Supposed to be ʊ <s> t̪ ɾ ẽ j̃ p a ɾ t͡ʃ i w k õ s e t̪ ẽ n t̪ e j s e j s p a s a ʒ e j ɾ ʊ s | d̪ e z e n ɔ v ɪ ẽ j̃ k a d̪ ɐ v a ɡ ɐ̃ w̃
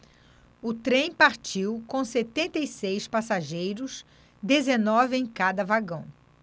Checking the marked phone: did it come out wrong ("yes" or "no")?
yes